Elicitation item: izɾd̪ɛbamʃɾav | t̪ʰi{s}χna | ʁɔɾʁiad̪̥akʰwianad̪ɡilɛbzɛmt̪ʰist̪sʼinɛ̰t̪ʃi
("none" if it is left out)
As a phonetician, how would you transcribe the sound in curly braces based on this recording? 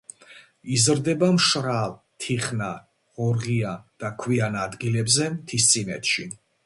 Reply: none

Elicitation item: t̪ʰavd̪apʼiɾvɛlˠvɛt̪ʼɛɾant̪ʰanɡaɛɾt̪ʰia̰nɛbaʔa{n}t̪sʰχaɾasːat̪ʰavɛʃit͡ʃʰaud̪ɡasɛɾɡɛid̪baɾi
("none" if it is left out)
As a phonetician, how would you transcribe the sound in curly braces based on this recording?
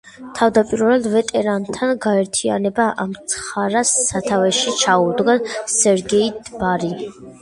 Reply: m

